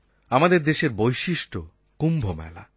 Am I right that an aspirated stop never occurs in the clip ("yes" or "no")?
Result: yes